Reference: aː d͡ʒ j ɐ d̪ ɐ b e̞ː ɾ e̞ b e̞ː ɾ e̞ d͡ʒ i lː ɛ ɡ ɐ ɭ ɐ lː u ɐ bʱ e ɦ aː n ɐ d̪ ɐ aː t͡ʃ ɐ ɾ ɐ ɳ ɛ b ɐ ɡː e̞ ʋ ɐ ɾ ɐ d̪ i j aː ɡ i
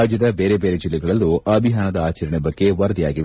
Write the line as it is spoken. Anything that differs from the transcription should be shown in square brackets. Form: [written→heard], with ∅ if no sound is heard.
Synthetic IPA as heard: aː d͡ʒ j ɐ d̪ ɐ b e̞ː ɾ e̞ b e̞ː ɾ e̞ d͡ʒ i lː ɛ ɡ ɐ ɭ ɐ lː u ɐ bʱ [e→i] ɦ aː n ɐ d̪ ɐ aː t͡ʃ ɐ ɾ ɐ ɳ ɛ b ɐ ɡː e̞ ʋ ɐ ɾ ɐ d̪ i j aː ɡ i